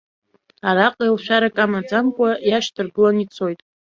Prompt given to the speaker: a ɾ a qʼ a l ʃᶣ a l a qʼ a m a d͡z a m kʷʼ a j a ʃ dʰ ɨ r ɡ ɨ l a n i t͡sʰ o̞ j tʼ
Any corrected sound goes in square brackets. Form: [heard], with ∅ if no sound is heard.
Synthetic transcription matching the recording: a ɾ a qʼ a l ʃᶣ a [ɾ] a [kʼ] a m a d͡z a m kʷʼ a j a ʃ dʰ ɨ r ɡ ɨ l a n i t͡sʰ o̞ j tʼ